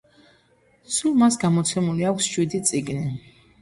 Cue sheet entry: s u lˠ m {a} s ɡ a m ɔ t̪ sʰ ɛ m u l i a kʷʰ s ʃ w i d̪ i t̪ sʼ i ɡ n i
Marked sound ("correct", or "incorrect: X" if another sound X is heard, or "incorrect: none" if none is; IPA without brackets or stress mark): correct